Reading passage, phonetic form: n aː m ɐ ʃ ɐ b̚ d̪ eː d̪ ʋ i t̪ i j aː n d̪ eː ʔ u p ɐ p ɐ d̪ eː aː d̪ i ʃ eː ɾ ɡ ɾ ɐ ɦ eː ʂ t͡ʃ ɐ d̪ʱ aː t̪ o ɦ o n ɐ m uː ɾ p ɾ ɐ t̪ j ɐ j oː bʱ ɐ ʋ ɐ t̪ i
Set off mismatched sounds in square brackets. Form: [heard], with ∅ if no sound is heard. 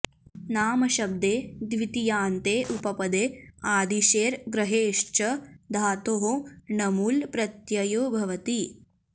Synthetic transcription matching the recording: n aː m ɐ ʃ ɐ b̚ d̪ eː d̪ ʋ i t̪ i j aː n [t̪] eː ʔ u p ɐ p ɐ d̪ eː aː d̪ i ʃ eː ɾ ɡ ɾ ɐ ɦ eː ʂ t͡ʃ ɐ d̪ʱ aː t̪ o ɦ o n ɐ m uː [l] p ɾ ɐ t̪ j ɐ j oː bʱ ɐ ʋ ɐ t̪ i